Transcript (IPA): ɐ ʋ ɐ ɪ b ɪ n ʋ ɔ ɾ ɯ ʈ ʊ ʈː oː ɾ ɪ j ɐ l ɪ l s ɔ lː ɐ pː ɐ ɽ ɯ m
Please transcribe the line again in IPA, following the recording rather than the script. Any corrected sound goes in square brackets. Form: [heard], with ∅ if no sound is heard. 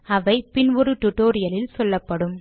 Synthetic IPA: ɐ ʋ ɐ ɪ [p] ɪ n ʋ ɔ ɾ ɯ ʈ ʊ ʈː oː ɾ ɪ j ɐ l ɪ l s ɔ lː ɐ pː ɐ ɽ ɯ m